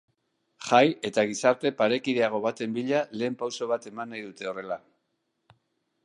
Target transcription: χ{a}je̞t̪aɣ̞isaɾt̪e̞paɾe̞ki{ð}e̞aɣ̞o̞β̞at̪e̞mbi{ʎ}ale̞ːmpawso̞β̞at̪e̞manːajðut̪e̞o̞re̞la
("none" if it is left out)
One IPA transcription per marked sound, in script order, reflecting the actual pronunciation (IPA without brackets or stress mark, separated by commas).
a, ð, ʎ